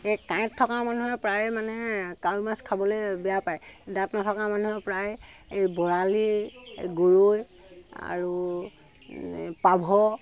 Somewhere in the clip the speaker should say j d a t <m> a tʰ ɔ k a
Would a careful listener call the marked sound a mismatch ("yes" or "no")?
yes